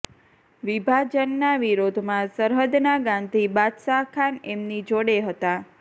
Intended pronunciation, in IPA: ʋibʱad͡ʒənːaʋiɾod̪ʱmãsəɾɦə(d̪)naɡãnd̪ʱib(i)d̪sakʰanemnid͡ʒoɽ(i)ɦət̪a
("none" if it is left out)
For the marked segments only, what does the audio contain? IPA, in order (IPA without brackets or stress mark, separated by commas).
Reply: d̪, a, e